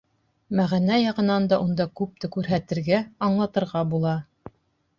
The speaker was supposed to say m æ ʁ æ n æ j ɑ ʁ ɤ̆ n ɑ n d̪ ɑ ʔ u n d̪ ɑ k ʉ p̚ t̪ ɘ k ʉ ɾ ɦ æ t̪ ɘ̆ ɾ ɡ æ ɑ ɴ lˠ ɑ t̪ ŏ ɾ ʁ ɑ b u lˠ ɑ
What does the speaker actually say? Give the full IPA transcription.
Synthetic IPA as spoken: m æ ʁ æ n æ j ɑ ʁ ɤ̆ n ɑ n d̪ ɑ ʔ u n d̪ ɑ k ʉ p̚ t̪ ɘ k ʉ ɾ ɦ æ t̪ ɘ̆ ɾ ɡ æ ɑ ɴ lˠ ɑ t̪ ɤ̆ ɾ ʁ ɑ b u lˠ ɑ